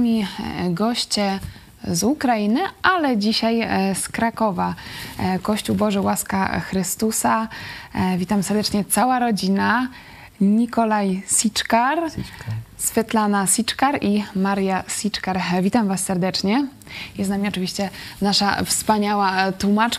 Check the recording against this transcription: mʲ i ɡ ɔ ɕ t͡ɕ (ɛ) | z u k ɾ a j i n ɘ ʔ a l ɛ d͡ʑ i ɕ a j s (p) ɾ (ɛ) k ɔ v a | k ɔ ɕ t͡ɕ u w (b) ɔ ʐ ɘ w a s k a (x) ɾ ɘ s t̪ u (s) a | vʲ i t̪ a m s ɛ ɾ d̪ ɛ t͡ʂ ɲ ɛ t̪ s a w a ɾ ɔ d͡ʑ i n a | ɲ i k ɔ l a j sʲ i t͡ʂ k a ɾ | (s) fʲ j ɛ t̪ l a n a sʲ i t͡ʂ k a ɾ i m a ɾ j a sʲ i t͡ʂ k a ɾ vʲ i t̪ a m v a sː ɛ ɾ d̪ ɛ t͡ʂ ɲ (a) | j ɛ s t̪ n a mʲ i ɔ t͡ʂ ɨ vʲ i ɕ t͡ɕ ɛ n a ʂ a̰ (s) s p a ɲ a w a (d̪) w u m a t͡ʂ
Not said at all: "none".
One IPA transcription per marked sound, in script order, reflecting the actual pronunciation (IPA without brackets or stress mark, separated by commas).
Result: ɛ, k, a, b, x, s, s, ɛ, f, t̪